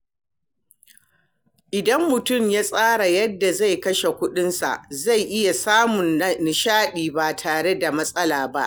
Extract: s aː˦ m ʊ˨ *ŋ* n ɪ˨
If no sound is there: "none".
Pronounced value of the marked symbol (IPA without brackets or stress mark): n